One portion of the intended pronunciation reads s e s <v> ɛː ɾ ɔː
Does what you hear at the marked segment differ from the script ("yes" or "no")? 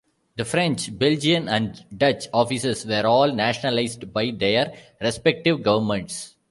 yes